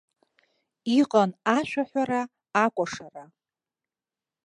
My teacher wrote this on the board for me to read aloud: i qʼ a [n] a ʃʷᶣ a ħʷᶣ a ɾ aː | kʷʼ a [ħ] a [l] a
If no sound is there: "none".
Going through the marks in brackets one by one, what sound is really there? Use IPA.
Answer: n, ʂ, r

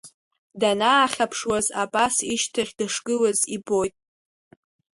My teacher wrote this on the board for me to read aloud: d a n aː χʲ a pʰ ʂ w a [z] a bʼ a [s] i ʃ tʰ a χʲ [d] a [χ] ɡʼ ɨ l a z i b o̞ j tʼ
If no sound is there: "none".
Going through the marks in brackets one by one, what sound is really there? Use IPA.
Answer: z, s, d, ʂ

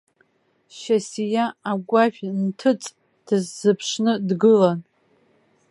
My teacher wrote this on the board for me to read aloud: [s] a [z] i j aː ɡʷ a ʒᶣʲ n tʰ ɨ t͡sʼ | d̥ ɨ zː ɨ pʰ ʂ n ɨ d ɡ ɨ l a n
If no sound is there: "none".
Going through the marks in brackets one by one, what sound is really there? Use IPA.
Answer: ʃ, s

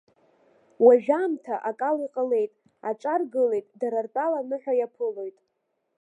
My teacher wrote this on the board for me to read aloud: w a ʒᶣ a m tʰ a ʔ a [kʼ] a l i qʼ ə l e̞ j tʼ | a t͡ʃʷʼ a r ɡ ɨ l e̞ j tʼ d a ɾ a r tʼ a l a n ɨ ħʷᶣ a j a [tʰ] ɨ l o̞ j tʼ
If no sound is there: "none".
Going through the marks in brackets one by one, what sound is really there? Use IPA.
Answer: kʼ, pʰ

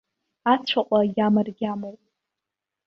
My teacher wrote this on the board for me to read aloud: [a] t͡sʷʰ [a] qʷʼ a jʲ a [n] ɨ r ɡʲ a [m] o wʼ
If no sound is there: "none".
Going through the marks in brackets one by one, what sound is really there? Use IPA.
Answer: a, a, m, m

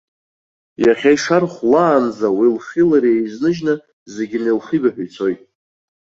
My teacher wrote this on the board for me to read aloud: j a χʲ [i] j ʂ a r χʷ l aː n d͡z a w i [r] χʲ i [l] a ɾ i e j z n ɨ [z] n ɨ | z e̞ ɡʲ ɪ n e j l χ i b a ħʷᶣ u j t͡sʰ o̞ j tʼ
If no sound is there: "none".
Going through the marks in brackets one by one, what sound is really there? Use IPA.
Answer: a, l, l, ʒ

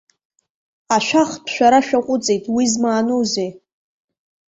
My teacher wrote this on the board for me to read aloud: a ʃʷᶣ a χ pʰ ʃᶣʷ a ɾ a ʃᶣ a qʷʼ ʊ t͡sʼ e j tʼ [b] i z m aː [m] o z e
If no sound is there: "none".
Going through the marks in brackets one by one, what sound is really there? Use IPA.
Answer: w, n

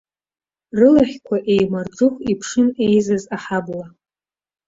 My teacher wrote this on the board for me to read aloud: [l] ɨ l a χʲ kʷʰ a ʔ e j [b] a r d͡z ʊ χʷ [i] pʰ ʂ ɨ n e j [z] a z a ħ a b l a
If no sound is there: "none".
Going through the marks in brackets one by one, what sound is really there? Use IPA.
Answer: r, m, i, z

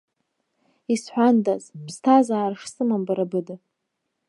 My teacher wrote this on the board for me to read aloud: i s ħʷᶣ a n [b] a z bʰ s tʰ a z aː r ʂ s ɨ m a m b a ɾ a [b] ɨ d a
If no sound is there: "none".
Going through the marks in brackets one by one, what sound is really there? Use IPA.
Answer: d, b

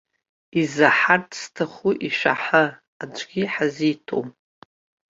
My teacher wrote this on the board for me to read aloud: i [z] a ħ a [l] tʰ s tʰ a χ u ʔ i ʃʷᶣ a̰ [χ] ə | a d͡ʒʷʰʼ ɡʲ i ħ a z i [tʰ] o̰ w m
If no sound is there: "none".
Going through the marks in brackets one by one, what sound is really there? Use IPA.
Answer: z, r, ħ, tʰ

